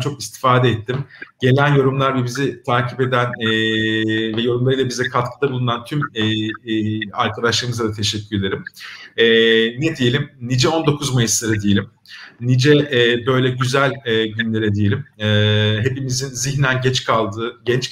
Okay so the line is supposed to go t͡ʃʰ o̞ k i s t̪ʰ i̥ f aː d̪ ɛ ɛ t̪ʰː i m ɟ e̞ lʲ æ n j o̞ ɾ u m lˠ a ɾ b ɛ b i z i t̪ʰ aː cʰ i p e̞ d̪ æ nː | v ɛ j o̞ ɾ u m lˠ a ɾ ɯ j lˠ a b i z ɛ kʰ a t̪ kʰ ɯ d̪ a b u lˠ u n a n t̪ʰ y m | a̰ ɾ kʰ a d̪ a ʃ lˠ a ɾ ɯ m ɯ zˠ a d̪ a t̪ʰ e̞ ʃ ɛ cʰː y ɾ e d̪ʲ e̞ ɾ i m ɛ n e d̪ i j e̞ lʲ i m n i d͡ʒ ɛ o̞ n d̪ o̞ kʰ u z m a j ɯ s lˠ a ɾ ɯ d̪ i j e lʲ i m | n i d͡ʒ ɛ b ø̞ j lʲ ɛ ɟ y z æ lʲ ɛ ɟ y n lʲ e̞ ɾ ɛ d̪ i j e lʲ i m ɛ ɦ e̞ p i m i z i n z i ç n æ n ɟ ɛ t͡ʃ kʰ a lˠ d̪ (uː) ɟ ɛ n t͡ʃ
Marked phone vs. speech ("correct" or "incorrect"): incorrect